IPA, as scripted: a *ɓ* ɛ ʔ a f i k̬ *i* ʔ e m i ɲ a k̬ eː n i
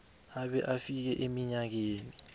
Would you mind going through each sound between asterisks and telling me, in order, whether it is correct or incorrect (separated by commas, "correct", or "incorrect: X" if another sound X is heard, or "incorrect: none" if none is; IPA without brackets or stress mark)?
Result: correct, incorrect: ɛ